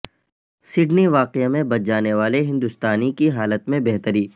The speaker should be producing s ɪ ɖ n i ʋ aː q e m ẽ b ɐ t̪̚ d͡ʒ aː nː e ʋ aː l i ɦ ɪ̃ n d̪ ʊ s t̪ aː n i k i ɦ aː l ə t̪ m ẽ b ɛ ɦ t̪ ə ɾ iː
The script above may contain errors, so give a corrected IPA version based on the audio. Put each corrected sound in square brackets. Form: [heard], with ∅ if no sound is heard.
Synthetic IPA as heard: s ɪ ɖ n i ʋ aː q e m ẽ b ɐ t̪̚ d͡ʒ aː [n] e ʋ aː l [e] ɦ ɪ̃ n d̪ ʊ s t̪ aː n i k i ɦ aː l ə t̪ m ẽ b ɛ ɦ t̪ ə ɾ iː